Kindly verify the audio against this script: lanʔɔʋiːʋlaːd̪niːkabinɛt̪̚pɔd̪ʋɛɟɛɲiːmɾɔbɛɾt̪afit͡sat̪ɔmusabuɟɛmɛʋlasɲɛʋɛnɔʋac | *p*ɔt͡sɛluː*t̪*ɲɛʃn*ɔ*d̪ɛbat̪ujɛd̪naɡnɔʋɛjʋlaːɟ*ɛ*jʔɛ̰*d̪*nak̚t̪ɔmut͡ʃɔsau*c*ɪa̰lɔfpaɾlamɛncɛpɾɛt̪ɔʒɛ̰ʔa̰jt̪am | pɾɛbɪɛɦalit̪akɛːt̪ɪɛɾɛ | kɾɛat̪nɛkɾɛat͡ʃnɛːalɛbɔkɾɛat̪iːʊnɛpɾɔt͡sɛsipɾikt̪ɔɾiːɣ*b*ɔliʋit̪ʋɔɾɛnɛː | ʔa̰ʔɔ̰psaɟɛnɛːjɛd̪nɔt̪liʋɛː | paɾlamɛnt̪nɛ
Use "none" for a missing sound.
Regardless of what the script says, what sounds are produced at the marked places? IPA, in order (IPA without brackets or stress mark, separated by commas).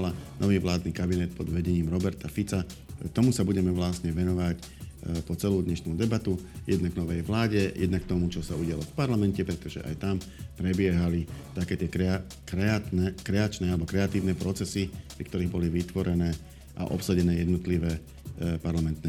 p, d̪, u, ɛ, d̪, ɟ, b